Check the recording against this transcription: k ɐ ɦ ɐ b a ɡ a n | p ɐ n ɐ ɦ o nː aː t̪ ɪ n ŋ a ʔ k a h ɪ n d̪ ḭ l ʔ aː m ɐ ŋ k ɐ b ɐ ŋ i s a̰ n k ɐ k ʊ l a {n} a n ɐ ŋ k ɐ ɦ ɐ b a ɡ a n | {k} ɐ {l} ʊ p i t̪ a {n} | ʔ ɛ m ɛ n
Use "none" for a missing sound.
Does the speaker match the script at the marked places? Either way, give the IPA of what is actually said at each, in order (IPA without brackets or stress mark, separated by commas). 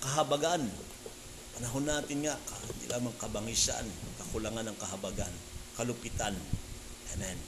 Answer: ŋ, k, l, n